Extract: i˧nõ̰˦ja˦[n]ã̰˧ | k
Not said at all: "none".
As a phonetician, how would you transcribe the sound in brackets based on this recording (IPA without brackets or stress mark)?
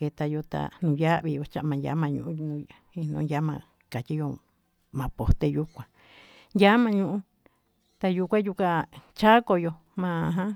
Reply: m